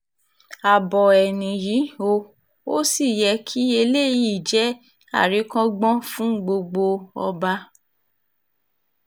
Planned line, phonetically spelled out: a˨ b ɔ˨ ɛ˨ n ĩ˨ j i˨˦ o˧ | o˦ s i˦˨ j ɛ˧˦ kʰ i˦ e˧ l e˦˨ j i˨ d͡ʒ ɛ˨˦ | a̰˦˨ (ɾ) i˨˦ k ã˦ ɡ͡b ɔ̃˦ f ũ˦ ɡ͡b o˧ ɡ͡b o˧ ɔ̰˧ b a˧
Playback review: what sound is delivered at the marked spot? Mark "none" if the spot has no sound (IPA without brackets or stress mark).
ɾ